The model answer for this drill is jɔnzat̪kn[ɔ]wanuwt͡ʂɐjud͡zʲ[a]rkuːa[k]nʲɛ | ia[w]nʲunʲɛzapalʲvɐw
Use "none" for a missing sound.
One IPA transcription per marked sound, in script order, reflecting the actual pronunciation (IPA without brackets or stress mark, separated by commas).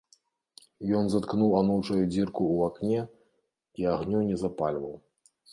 u, i, k, ɣ